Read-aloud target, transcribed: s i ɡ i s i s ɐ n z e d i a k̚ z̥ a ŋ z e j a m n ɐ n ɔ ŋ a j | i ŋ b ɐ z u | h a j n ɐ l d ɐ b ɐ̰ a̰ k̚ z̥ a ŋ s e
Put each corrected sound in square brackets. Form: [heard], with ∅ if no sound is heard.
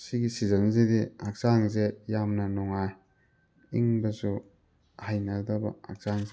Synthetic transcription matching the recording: s i ɡ i s i [z] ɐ n z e d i a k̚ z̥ a ŋ z e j a m n ɐ n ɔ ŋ a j | i ŋ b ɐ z u | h a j n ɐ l d ɐ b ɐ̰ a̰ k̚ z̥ a ŋ [z] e